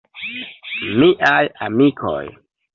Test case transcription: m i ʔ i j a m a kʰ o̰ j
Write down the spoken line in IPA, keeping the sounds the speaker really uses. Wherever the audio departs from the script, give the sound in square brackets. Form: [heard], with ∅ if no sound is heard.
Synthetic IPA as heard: m i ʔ [a] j a m [i] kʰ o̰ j